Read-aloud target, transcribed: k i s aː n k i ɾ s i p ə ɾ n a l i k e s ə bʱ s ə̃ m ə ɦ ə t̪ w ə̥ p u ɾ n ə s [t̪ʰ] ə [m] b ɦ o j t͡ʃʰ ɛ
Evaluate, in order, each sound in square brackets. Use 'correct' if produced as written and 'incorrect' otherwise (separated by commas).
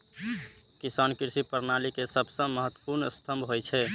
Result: correct, correct